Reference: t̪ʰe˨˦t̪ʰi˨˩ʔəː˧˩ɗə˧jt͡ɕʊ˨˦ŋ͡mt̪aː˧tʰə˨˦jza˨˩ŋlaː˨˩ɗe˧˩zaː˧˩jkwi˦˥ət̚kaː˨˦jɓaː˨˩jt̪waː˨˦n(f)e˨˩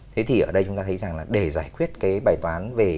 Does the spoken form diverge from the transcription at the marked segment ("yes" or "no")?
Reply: yes